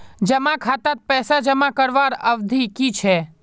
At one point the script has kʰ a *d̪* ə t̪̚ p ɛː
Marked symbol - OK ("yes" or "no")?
no